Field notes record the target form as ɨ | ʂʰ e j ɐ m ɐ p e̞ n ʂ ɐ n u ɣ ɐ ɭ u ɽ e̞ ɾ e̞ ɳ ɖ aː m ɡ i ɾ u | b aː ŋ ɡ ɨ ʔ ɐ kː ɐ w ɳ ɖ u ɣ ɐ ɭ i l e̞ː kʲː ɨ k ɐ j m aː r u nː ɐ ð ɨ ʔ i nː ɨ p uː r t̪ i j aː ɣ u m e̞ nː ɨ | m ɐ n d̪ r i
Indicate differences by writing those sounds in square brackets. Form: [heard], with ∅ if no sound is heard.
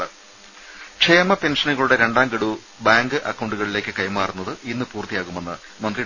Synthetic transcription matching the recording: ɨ | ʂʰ e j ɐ m ɐ p e̞ n ʂ ɐ n u ɣ ɐ ɭ u ɽ e̞ ɾ e̞ ɳ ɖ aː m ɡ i [ɽ] u | b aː ŋ ɡ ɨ ʔ ɐ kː ɐ w ɳ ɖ u ɣ ɐ ɭ i l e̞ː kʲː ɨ k ɐ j m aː r u nː ɐ ð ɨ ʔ i nː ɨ p uː r t̪ i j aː ɣ u m e̞ nː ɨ | m ɐ n d̪ r i